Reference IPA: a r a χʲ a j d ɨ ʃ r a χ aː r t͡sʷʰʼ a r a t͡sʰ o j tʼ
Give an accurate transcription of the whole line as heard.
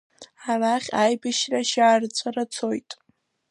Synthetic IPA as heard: a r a χʲ a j b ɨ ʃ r a ʃ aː r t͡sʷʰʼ a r a t͡sʰ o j tʼ